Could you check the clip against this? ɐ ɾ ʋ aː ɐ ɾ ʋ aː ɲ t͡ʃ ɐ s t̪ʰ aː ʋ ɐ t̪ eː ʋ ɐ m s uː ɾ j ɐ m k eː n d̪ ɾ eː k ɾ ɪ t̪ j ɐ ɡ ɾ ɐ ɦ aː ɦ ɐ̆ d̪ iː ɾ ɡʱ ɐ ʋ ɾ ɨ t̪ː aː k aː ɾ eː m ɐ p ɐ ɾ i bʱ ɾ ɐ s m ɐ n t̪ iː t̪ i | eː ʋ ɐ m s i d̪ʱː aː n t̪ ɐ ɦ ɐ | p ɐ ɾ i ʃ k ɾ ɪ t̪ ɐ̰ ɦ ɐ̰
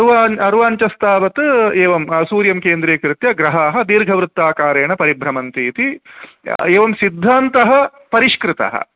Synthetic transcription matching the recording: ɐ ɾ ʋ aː ɐ ɾ ʋ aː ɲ t͡ʃ ɐ s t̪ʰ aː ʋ ɐ t̪ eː ʋ ɐ m s uː ɾ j ɐ m k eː n d̪ ɾ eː k ɾ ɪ t̪ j ɐ ɡ ɾ ɐ ɦ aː ɦ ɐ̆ d̪ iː ɾ ɡʱ ɐ ʋ ɾ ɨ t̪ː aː k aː ɾ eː ɳ ɐ p ɐ ɾ i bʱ ɾ ɐ m ɐ n t̪ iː t̪ i | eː ʋ ɐ m s i d̪ʱː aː n t̪ ɐ ɦ ɐ | p ɐ ɾ i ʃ k ɾ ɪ t̪ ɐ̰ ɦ ɐ̰